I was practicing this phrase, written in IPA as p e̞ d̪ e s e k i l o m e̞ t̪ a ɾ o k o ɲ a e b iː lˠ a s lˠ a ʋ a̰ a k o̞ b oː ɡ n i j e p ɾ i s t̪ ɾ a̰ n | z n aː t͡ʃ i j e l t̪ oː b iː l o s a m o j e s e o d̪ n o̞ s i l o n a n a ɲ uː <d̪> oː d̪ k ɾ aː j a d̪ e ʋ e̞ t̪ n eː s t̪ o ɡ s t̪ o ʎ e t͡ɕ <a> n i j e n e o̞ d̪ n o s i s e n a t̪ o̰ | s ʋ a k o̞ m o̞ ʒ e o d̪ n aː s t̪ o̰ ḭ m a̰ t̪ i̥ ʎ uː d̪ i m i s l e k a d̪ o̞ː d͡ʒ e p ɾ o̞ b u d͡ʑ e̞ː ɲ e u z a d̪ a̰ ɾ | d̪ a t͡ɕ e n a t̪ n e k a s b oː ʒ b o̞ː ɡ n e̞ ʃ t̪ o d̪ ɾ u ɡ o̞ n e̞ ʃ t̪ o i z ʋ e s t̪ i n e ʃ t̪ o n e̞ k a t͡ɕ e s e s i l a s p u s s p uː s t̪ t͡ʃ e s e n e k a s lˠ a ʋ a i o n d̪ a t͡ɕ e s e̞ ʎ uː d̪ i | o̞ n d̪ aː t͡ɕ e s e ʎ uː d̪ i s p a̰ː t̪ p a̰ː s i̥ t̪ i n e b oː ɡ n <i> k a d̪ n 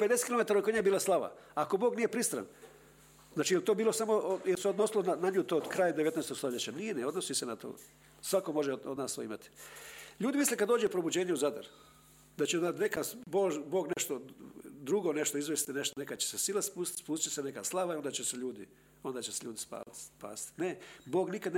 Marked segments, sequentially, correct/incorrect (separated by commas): incorrect, correct, correct